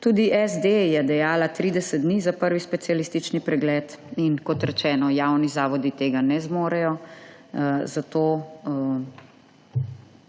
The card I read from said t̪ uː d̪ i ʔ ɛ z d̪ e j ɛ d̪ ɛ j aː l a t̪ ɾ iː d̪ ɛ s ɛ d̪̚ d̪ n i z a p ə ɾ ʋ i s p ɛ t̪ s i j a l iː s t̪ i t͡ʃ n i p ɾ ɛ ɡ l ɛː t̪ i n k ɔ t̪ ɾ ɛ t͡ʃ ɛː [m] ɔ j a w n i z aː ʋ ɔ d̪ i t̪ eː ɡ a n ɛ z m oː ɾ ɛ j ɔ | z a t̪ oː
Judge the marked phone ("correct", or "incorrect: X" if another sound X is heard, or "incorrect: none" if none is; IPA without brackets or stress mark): incorrect: n